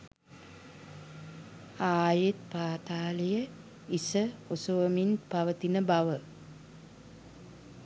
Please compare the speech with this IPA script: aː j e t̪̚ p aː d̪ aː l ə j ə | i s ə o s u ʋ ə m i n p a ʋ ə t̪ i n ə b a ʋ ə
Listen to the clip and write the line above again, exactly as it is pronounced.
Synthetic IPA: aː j e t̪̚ p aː t̪ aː l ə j ə | i s ə o s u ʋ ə m i n p a ʋ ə t̪ i n ə b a ʋ ə